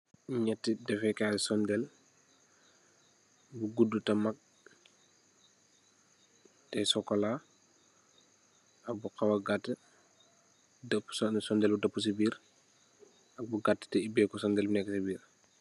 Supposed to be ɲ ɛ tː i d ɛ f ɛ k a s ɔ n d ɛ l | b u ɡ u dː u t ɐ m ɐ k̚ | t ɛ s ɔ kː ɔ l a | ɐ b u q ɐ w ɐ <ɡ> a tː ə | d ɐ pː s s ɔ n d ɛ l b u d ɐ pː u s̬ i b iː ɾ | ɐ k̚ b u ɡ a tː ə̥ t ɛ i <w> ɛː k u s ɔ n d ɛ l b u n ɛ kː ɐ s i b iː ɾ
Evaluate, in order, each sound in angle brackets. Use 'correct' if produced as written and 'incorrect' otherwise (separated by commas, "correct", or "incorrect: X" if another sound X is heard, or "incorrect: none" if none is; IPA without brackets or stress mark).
correct, incorrect: b